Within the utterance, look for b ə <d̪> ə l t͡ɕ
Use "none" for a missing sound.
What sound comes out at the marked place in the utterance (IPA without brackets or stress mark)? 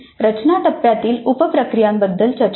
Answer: d̪ː